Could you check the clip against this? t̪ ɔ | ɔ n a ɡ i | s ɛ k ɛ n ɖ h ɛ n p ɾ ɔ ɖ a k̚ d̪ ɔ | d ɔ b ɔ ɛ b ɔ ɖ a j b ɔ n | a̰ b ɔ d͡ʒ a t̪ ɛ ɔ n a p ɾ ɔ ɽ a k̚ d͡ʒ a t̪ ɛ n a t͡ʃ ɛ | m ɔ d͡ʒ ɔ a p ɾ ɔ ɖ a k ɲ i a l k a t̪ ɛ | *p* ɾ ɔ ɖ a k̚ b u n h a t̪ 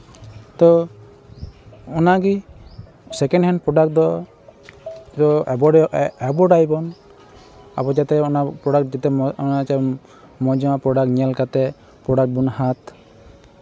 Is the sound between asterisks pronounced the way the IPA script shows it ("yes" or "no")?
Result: yes